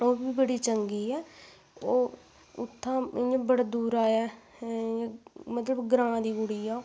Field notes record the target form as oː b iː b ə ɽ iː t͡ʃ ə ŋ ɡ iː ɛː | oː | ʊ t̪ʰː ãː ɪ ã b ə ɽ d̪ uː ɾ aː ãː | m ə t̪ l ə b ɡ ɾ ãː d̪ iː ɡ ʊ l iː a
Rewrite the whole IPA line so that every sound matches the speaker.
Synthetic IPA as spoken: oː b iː b ə ɽ iː t͡ʃ ə ŋ ɡ iː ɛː | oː | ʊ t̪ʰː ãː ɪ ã b ə ɽ d̪ uː ɾ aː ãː | m ə t̪ l ə b ɡ ɾ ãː d̪ iː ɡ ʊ ɽ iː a